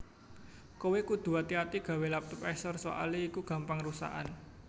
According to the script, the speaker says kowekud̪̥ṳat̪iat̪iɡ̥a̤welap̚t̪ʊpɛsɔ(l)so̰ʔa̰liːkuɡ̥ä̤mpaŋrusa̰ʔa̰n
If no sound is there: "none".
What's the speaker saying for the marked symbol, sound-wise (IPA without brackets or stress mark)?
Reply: r